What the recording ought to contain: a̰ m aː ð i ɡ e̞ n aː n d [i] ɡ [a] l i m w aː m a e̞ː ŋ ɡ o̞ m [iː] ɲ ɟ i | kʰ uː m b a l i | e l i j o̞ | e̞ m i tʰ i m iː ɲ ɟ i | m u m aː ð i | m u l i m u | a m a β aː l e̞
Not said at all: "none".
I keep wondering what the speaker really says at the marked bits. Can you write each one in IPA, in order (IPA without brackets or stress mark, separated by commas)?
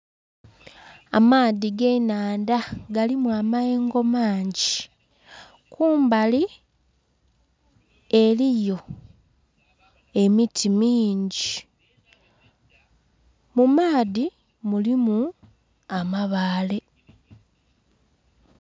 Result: a, a, aː